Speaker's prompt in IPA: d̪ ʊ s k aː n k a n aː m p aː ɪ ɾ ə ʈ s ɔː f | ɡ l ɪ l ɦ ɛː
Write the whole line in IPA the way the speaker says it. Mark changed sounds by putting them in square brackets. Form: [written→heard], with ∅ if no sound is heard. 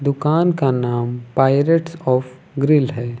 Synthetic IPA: d̪ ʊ [s→∅] k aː n k a n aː m p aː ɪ ɾ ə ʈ s ɔː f | ɡ [l→ɾ] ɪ l ɦ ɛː